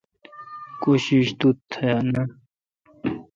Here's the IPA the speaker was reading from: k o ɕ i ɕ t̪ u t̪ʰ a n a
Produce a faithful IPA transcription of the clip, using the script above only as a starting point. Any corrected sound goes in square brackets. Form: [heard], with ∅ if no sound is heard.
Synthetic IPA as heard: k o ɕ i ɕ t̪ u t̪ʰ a n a